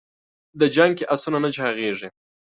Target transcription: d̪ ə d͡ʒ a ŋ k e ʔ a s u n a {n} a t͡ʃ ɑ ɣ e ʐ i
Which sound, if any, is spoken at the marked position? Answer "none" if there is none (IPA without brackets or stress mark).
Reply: n